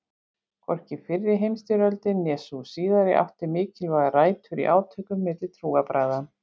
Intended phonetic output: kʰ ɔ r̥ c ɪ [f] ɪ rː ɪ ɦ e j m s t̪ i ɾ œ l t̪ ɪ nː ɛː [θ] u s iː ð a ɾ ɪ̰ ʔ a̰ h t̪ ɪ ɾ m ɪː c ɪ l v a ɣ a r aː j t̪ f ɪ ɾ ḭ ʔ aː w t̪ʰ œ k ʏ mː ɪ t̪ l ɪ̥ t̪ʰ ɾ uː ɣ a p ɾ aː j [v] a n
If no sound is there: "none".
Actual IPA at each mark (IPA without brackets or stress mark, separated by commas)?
f, s, ð